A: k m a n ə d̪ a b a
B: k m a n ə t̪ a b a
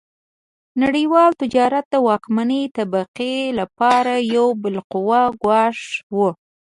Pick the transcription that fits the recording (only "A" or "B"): B